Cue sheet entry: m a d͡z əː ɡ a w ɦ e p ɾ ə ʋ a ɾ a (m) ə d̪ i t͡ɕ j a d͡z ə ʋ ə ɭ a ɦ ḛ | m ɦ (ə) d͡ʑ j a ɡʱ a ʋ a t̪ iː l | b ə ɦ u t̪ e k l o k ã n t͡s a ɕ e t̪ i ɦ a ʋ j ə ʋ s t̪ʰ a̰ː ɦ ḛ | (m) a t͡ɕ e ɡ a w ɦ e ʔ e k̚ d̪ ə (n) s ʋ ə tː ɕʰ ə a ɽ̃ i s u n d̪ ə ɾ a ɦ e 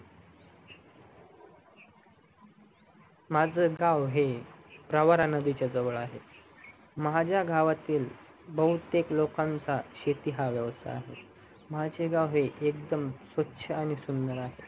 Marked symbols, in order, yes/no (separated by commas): no, no, yes, no